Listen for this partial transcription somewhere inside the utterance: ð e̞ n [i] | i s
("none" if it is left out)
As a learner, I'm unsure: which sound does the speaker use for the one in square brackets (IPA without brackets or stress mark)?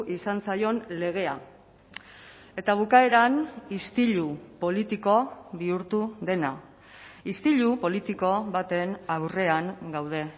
a